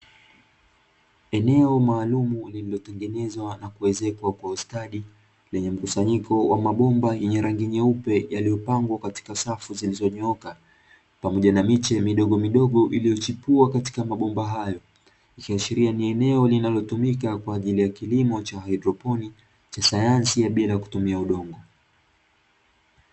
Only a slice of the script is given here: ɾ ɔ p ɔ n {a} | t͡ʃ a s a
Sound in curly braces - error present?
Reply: yes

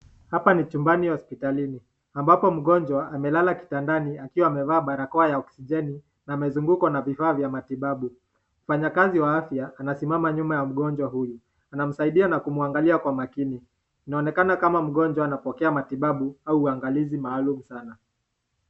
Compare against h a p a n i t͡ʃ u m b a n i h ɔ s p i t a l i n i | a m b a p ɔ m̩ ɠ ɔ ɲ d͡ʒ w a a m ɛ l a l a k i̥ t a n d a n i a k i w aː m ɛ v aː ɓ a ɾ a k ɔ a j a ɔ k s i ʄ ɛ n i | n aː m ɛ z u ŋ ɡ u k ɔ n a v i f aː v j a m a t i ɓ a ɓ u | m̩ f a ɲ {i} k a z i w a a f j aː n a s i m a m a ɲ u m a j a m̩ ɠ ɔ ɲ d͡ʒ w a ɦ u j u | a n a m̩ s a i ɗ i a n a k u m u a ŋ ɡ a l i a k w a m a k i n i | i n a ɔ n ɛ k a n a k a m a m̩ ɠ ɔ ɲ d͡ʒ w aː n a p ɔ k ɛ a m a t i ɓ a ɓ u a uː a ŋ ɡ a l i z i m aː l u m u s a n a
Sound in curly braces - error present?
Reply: yes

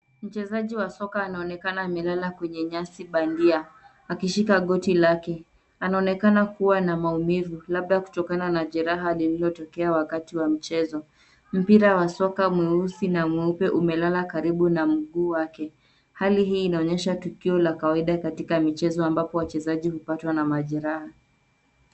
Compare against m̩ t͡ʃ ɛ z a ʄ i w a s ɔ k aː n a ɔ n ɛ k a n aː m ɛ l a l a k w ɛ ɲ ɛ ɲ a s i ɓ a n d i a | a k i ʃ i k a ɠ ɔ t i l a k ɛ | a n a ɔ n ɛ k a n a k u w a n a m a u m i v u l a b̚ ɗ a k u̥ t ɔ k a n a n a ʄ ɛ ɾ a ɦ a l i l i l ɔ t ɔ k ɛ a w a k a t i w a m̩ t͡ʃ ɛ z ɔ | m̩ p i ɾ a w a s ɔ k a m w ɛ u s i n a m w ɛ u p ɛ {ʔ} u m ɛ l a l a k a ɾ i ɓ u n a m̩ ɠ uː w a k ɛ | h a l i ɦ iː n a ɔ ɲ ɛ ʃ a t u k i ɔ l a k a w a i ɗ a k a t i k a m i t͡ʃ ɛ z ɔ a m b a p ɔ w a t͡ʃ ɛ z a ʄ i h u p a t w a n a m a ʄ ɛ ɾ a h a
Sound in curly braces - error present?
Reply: no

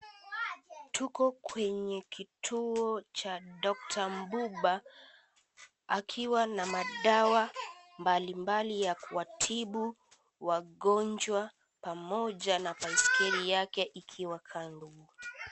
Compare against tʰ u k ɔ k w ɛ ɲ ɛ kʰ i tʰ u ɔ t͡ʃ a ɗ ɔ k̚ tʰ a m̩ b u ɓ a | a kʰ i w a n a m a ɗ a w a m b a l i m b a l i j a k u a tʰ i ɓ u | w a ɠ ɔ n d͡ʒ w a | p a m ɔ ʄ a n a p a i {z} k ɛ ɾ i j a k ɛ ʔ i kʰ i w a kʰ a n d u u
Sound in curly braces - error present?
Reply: yes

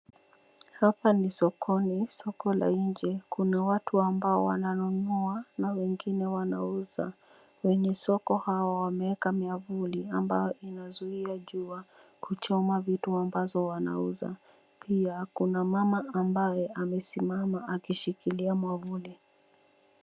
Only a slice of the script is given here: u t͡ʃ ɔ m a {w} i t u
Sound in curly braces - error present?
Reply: yes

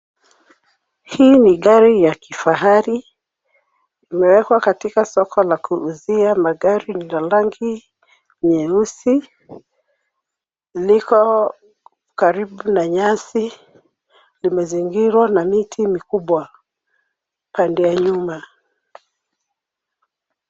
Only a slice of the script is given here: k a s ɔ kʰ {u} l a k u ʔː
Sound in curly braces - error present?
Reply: yes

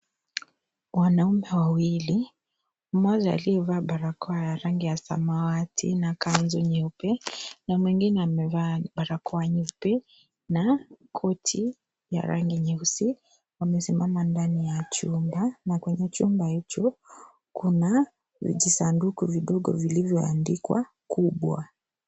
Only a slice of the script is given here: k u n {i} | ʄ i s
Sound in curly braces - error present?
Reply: yes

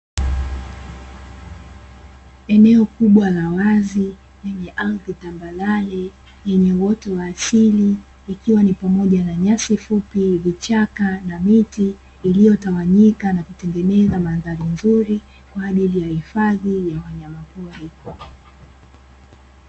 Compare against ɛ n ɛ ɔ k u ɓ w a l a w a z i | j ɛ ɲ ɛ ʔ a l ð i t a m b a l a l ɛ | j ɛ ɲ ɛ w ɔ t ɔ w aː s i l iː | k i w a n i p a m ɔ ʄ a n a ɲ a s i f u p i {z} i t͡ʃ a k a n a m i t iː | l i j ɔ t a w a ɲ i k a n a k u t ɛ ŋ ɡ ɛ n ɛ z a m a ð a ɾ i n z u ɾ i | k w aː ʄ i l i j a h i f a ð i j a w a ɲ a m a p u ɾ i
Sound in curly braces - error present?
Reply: yes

